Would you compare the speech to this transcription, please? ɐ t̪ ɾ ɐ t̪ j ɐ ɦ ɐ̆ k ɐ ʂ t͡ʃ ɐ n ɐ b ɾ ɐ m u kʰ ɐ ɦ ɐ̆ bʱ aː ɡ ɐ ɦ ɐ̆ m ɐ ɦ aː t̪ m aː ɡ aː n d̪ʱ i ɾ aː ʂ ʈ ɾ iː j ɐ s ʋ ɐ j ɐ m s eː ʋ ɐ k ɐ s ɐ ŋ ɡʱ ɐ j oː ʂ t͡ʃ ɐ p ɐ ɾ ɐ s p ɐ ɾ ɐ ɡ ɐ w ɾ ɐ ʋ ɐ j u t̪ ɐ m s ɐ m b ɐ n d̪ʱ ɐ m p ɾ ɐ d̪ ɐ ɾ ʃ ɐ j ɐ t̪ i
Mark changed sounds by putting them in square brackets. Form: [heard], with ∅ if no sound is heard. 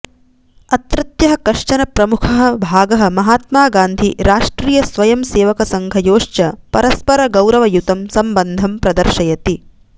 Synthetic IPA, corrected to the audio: ɐ t̪ ɾ ɐ t̪ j ɐ ɦ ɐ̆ k ɐ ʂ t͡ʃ ɐ n ɐ [p] ɾ ɐ m u kʰ ɐ ɦ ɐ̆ bʱ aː ɡ ɐ ɦ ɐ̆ m ɐ ɦ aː t̪ m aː ɡ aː n d̪ʱ i ɾ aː ʂ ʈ ɾ iː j ɐ s ʋ ɐ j ɐ m s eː ʋ ɐ k ɐ s ɐ ŋ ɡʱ ɐ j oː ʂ t͡ʃ ɐ p ɐ ɾ ɐ s p ɐ ɾ ɐ ɡ ɐ w ɾ ɐ ʋ ɐ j u t̪ ɐ m s ɐ m b ɐ n d̪ʱ ɐ m p ɾ ɐ d̪ ɐ ɾ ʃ ɐ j ɐ t̪ i